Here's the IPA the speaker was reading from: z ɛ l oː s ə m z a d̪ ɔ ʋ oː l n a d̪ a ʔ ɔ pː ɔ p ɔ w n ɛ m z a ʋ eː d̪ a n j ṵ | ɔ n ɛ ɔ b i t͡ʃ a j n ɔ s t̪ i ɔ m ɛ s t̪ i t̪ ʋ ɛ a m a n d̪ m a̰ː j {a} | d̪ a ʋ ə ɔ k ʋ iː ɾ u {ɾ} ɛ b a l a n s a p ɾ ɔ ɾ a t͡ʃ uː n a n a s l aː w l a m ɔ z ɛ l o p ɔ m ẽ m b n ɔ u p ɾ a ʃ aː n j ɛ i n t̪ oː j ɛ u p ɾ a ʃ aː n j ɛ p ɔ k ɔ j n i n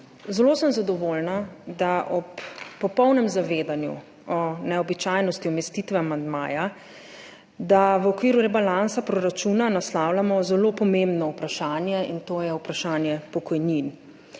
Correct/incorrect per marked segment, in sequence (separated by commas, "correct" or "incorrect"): correct, correct